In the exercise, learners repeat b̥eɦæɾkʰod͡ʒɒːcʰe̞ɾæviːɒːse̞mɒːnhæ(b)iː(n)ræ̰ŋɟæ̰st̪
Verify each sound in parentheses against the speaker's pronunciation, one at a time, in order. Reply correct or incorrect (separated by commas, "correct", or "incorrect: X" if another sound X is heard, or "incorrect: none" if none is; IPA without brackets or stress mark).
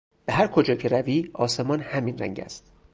incorrect: m, correct